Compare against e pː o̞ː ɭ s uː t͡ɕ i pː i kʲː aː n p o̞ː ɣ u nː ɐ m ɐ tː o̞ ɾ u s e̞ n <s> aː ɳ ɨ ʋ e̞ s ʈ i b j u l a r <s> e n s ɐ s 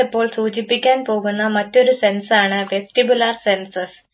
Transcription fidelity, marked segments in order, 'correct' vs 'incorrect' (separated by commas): correct, correct